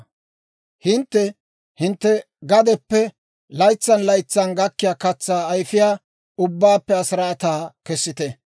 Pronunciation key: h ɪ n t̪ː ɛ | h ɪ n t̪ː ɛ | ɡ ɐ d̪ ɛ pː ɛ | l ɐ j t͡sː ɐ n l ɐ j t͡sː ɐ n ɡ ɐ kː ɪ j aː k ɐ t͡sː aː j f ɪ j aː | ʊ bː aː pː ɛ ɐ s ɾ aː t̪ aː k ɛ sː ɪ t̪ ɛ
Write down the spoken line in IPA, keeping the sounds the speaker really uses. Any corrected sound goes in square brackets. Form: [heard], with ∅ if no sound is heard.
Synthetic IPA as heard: h ɪ n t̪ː ɛ | h ɪ n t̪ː ɛ | ɡ ɐ d̪ ɛ pː ɛ | l ɐ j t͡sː ɐ n l ɐ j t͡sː ɐ n ɡ ɐ kː ɪ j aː k ɐ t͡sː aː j f ɪ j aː | ʊ bː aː pː ɛ ɐ s ɾ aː t̪ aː k ɛ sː ɪ t̪ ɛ